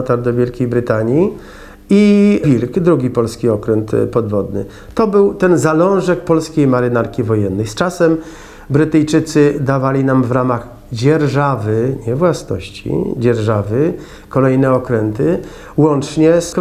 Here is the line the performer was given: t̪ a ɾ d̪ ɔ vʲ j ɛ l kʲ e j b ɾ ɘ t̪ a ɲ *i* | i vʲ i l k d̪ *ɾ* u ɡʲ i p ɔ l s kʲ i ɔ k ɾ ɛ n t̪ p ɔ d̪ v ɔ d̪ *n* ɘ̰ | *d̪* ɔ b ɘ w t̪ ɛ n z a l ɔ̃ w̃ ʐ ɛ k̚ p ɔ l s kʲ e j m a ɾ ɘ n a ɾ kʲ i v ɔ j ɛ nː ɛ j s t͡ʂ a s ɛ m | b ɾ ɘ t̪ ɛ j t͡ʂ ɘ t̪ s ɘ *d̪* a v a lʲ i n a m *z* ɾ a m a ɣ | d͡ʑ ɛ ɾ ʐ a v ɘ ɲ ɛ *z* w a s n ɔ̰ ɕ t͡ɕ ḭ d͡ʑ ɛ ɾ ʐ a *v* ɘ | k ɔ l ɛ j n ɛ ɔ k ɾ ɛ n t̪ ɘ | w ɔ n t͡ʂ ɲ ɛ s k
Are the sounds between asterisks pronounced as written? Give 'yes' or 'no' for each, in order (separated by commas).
yes, yes, yes, no, yes, no, no, yes